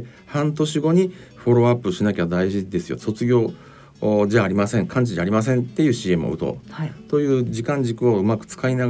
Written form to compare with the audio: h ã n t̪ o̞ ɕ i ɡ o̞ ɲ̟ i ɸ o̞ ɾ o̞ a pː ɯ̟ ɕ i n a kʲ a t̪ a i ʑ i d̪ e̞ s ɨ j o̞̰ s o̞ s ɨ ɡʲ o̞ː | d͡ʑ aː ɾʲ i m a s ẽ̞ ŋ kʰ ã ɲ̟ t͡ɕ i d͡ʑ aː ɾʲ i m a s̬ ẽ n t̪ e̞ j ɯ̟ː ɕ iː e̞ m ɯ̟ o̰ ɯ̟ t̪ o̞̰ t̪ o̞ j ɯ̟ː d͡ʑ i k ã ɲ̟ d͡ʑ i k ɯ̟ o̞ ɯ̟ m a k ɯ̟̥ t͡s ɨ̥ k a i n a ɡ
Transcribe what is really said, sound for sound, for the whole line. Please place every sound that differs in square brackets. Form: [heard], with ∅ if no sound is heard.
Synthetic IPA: h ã n t̪ o̞ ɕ i ɡ o̞ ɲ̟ i ɸ o̞ ɾ o̞ a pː ɯ̟ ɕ i n a kʲ a [d̪] a i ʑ i d̪ e̞ s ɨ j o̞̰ s o̞ [t͡s] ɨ ɡʲ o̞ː | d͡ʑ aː ɾʲ i m a s ẽ̞ ŋ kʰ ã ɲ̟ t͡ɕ i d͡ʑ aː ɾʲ i m a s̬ ẽ n t̪ e̞ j ɯ̟ː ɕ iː e̞ m ɯ̟ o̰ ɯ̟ t̪ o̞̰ t̪ o̞ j ɯ̟ː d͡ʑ i k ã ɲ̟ d͡ʑ i k ɯ̟ o̞ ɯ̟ m a k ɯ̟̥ t͡s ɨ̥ k a i n a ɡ